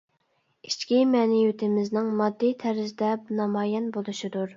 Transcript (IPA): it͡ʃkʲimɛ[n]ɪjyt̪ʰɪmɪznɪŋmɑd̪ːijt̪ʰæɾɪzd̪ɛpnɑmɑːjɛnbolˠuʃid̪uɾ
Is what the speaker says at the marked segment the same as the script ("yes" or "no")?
yes